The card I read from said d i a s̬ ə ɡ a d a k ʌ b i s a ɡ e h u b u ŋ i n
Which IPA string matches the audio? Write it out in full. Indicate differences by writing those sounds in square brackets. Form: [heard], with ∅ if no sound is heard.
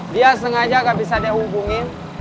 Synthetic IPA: d i a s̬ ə [ŋ] a [d͡ʒ] a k [a] b i s a [d] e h u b u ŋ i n